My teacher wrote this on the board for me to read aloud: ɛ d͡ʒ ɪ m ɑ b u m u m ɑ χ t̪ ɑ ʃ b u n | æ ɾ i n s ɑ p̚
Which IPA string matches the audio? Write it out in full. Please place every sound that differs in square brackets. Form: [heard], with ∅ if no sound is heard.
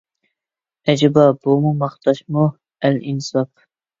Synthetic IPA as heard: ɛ d͡ʒ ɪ [b] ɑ b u m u m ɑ χ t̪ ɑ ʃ [m] u [∅] | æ [l] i n s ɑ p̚